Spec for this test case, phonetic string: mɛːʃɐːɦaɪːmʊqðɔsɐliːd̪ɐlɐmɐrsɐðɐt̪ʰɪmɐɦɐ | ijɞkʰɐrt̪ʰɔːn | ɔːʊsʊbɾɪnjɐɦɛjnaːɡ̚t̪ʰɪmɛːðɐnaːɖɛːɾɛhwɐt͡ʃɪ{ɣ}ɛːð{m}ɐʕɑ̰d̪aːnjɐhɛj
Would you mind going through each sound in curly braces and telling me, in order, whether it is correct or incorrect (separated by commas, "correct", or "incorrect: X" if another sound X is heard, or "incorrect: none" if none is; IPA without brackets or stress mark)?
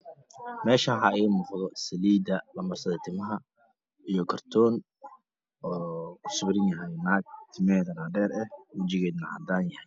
correct, incorrect: n